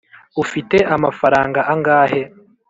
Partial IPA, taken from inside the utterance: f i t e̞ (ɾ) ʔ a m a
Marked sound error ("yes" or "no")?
yes